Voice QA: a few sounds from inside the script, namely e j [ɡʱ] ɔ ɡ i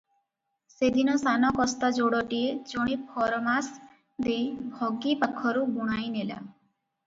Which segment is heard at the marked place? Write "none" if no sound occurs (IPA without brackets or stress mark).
bʱ